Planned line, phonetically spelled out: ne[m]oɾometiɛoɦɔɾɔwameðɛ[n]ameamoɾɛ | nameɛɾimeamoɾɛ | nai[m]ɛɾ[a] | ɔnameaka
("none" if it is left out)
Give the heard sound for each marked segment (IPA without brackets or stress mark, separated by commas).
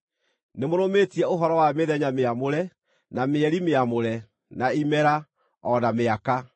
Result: m, ɲ, m, a